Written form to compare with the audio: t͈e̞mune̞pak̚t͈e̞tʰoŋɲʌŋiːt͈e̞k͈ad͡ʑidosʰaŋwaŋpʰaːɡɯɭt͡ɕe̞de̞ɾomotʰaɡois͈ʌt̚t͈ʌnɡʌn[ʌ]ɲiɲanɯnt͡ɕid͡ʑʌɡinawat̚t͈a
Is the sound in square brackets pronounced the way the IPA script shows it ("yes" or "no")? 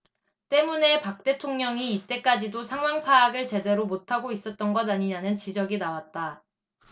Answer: no